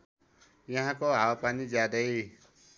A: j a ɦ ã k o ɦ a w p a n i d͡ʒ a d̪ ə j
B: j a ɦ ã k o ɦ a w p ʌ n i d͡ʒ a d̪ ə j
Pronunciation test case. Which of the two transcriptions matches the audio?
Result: A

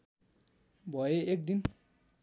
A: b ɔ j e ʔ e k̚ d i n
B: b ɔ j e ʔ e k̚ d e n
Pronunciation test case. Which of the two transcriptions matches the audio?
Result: A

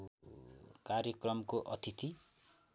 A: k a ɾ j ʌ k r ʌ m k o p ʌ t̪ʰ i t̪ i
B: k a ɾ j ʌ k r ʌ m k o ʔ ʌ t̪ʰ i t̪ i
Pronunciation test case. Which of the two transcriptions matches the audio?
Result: B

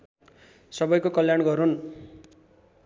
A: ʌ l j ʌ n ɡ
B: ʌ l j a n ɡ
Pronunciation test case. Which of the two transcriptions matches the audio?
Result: B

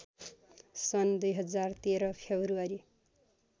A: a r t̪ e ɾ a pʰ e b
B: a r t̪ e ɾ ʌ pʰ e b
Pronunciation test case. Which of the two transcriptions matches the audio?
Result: B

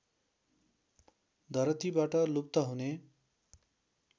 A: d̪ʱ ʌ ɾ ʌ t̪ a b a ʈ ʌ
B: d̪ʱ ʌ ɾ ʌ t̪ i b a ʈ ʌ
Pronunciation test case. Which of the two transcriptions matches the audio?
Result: B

